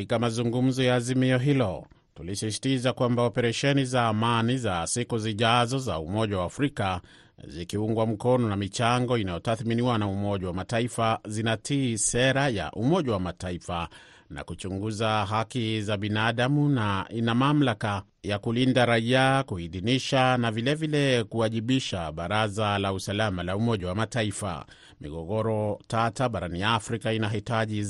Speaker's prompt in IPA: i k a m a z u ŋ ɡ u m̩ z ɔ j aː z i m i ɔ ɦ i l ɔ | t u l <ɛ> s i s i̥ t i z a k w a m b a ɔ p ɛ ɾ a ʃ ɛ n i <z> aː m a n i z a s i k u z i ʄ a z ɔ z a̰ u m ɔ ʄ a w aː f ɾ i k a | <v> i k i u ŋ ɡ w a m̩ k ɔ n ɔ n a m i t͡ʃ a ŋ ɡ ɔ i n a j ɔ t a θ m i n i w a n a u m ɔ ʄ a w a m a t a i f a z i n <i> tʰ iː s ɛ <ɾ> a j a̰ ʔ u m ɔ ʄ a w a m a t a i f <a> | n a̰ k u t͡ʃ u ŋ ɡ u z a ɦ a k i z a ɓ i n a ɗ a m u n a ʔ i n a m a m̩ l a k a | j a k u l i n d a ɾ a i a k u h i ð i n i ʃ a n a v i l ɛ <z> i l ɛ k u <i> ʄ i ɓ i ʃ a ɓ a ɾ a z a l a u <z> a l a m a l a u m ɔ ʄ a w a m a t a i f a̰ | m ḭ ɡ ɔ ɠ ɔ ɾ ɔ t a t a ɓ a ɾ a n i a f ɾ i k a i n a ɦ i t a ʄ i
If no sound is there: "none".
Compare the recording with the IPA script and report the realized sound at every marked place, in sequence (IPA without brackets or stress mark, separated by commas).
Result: i, z, z, a, ɾ, a, v, a, s